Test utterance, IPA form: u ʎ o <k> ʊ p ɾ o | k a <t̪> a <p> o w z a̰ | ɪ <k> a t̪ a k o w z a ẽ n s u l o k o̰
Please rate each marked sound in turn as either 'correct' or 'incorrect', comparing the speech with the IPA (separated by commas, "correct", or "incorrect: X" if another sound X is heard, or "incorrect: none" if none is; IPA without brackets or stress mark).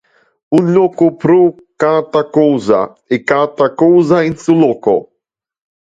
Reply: correct, correct, incorrect: k, correct